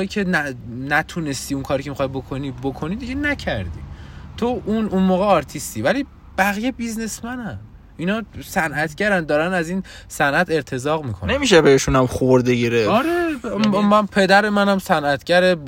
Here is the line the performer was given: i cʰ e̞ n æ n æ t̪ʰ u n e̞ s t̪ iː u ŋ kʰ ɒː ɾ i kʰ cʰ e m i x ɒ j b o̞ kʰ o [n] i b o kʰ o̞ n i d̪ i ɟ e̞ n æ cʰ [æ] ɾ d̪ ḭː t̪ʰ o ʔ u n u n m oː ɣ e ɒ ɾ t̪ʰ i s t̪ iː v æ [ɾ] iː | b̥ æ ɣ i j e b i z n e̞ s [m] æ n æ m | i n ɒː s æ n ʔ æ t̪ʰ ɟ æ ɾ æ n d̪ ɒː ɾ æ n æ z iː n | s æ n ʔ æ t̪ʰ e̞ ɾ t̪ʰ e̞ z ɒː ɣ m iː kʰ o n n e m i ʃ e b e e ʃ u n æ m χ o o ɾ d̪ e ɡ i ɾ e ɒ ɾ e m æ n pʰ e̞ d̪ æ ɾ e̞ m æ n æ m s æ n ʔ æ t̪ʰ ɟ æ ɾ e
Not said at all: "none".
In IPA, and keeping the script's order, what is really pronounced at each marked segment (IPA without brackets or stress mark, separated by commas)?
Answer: n, æ, l, m